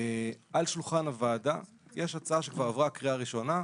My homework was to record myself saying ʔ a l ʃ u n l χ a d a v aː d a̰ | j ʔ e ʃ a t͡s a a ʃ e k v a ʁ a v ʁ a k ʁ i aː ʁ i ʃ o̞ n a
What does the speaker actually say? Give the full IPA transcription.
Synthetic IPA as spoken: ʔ a l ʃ u l χ a n a v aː d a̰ | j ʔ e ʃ a t͡s a a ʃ e k v a ʁ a v ʁ a k ʁ i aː ʁ i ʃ o̞ n a